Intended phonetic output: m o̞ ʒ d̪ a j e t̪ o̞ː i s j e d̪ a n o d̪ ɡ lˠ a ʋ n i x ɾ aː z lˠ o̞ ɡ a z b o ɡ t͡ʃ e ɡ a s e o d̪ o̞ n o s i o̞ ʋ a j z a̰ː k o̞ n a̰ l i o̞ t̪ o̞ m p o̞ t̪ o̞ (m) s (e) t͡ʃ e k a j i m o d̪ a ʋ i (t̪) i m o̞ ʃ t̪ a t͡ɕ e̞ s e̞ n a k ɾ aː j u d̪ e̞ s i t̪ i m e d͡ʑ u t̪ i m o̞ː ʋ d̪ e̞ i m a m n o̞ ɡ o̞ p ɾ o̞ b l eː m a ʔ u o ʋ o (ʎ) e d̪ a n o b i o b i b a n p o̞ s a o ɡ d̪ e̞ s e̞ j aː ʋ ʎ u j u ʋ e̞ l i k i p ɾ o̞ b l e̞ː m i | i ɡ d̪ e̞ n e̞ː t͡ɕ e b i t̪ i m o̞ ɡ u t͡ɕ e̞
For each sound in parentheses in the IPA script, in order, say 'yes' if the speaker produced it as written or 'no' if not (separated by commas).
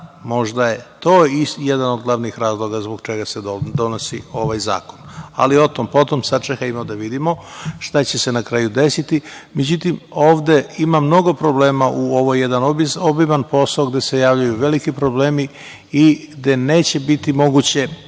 yes, no, no, no